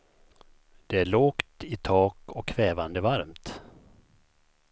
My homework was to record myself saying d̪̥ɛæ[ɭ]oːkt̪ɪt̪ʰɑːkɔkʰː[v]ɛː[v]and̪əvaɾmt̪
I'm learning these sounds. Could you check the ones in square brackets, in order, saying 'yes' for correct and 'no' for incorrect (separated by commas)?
yes, yes, yes